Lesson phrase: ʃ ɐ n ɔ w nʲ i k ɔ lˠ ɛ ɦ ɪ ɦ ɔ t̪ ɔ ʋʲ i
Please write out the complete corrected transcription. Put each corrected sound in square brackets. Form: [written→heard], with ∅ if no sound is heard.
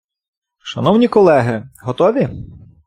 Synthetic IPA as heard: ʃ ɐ n ɔ w nʲ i k ɔ lˠ ɛ ɦ ɪ ɦ ɔ t̪ ɔ ʋʲ i